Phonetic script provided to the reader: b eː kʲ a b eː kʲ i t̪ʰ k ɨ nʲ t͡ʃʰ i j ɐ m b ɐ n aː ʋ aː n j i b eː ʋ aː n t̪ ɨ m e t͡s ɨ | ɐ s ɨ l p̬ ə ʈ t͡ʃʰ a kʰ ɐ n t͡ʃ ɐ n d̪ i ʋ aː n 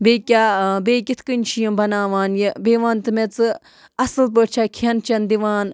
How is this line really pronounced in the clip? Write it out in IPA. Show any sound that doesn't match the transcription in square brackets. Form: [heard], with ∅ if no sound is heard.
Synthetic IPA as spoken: b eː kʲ a b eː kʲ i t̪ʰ k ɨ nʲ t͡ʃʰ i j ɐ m b ɐ n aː ʋ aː n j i b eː ʋ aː n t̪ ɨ m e t͡s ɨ | ɐ s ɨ l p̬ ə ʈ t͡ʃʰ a kʰ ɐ n t͡ʃ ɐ n d̪ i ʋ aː n